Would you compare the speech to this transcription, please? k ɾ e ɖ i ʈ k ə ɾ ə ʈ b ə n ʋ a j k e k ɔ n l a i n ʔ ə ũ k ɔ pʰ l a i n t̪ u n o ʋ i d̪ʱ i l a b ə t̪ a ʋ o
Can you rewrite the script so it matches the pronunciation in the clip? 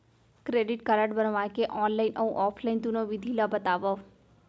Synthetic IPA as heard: k ɾ e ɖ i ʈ k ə ɾ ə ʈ b ə n ʋ a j k e ʔ ɔ n l a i n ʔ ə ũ ʔ ɔ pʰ l a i n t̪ u n o ʋ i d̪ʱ i l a b ə t̪ a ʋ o